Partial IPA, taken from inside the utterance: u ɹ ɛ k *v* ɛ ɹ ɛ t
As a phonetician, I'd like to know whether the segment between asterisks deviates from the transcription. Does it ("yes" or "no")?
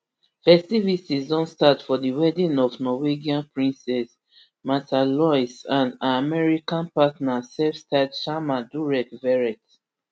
no